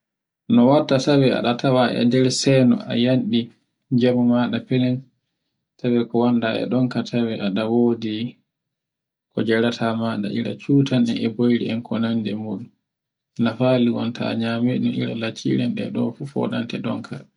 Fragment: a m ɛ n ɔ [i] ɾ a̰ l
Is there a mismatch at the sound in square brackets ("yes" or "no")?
no